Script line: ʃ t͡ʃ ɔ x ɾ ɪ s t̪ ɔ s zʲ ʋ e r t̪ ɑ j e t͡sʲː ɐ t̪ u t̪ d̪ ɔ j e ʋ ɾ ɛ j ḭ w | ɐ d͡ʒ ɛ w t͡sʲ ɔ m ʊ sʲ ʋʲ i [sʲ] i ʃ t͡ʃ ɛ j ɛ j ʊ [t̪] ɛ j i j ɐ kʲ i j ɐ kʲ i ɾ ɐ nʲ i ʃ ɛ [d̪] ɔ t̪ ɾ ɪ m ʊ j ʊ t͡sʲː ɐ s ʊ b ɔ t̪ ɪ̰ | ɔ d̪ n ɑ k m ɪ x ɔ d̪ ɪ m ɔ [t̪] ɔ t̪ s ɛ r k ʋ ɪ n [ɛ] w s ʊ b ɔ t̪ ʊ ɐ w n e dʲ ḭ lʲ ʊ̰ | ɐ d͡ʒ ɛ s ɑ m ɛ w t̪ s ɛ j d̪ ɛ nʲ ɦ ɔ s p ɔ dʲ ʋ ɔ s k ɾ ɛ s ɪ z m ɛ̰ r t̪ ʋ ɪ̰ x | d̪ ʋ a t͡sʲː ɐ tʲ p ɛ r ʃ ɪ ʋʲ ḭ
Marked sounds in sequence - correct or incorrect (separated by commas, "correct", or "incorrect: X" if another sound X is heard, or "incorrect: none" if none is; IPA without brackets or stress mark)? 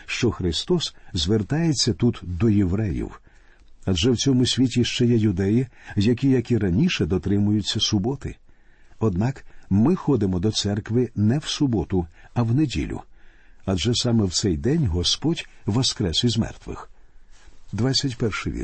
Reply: incorrect: tʲ, incorrect: d̪, correct, incorrect: d̪, correct